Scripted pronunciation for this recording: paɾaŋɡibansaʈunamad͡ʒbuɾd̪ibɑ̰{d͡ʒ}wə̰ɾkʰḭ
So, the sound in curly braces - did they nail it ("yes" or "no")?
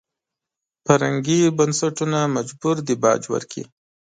yes